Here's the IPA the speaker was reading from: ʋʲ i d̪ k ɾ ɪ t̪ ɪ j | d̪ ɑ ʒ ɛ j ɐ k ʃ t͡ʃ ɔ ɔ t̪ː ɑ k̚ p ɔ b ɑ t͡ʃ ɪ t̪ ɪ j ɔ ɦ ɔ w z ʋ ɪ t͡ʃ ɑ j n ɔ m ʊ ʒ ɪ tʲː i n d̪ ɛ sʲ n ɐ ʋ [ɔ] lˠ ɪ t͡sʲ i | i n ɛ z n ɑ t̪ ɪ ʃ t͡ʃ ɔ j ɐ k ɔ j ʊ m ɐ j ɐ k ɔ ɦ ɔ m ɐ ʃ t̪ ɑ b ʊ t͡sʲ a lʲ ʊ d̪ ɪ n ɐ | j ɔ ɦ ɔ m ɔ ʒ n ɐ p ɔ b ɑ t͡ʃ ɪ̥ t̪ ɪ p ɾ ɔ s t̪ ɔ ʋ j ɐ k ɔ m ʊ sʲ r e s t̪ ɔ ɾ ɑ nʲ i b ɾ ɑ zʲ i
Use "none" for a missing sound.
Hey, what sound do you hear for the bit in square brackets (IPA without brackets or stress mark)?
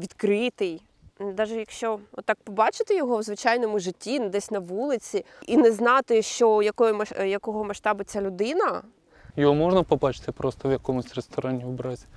u